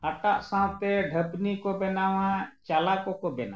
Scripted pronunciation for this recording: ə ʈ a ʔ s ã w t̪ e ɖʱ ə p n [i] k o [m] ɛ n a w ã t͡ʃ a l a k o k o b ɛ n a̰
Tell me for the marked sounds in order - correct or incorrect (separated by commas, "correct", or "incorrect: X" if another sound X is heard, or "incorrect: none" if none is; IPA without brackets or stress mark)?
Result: correct, incorrect: b